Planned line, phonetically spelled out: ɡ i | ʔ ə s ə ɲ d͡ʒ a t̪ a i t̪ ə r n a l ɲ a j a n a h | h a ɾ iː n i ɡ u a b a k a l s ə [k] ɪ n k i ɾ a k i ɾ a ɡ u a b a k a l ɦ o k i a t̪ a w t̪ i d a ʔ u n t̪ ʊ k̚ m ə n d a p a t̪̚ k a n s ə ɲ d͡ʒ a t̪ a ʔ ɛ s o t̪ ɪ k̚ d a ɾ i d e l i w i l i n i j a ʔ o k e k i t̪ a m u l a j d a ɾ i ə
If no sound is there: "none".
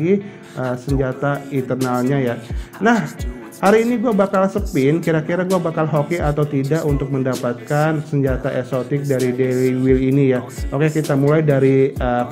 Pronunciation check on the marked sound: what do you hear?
p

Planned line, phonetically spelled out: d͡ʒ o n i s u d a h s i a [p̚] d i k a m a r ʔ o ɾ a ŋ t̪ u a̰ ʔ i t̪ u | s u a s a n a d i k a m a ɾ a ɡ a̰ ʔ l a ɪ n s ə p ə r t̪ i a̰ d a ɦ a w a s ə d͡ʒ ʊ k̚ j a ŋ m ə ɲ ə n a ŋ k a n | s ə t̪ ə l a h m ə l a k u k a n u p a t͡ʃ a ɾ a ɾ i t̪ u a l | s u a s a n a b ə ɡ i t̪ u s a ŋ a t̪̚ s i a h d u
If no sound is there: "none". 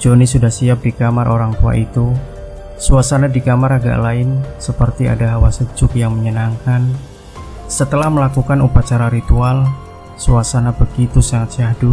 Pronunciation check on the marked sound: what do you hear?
p̚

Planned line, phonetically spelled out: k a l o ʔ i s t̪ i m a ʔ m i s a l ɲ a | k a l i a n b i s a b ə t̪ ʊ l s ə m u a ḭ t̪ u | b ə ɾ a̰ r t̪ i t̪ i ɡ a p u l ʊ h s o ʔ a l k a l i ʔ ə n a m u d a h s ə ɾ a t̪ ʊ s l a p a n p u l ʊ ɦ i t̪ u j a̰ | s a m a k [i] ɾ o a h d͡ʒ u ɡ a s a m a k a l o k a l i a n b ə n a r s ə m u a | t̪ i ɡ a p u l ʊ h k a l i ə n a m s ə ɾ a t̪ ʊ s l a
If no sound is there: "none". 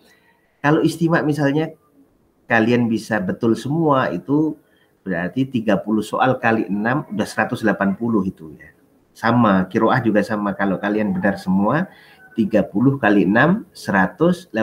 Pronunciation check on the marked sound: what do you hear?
i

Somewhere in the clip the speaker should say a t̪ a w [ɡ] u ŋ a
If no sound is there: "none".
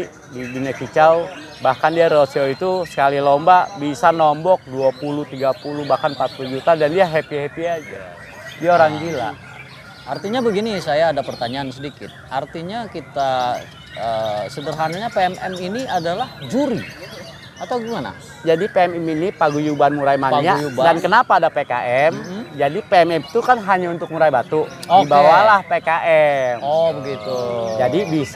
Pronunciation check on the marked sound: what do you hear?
ɡ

